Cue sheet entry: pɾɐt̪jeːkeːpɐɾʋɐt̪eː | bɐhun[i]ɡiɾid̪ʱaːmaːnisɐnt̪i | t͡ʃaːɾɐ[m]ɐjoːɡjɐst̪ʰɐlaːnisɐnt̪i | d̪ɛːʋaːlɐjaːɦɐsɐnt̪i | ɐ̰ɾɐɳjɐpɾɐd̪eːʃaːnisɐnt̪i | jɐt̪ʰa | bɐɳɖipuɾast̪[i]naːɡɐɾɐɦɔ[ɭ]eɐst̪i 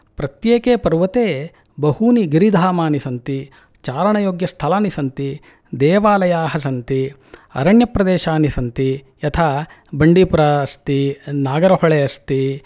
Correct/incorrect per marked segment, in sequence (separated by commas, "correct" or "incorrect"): correct, incorrect, correct, correct